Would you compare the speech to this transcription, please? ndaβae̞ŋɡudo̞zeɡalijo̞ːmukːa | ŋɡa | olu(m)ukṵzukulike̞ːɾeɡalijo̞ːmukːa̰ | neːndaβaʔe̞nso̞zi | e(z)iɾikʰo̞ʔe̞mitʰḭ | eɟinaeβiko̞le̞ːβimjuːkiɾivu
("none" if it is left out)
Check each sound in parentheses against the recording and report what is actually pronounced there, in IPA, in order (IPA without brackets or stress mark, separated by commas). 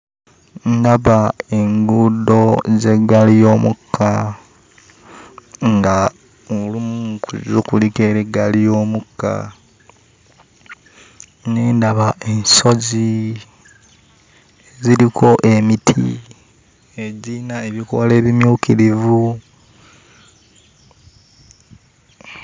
m, z